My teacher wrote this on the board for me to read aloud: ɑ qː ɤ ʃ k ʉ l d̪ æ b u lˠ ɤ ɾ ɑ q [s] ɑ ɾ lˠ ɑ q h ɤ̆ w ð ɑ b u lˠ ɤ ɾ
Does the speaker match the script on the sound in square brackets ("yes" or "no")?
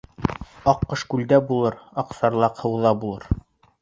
yes